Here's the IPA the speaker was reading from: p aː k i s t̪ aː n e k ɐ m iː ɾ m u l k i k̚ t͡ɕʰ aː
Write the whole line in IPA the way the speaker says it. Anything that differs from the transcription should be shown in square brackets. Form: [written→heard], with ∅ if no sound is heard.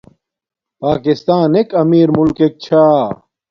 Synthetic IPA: p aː k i s t̪ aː n e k ɐ m iː ɾ m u l k [i→e] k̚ t͡ɕʰ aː